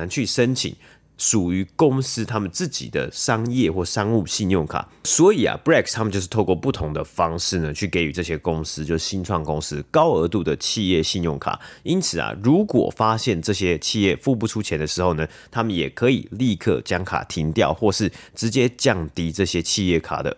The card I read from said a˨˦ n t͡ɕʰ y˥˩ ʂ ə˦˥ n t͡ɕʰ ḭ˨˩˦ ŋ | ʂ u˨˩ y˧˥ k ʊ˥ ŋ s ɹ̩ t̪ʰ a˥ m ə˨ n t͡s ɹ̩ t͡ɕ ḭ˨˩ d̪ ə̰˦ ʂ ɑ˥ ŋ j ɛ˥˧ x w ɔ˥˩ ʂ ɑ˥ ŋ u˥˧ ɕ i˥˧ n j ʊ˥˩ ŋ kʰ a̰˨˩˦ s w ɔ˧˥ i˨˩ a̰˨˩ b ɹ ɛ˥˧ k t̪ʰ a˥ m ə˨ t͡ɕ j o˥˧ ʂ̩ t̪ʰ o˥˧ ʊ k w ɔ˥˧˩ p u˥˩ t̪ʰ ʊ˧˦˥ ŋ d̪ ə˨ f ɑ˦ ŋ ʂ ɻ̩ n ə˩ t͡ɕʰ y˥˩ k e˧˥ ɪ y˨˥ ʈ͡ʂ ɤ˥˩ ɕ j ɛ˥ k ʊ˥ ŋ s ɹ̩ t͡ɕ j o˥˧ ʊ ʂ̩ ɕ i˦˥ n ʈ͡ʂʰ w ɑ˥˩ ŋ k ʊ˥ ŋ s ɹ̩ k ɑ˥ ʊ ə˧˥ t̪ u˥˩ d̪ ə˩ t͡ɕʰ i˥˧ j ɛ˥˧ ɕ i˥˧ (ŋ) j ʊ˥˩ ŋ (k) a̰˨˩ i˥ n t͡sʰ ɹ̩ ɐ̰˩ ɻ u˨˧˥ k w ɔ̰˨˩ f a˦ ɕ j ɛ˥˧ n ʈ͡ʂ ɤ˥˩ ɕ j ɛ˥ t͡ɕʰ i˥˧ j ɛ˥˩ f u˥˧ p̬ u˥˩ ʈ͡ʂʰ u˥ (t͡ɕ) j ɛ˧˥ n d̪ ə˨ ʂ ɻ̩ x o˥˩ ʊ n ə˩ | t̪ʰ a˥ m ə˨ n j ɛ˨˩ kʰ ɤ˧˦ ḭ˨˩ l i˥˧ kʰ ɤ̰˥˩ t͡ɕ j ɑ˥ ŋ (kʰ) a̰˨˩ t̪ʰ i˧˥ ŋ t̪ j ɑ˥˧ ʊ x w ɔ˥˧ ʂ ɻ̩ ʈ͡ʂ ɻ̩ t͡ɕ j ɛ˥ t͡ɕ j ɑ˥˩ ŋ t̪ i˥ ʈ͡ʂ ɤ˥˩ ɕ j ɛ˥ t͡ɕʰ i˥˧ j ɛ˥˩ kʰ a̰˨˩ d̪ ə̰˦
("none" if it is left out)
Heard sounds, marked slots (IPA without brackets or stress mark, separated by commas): n, kʰ, t͡ɕʰ, kʰ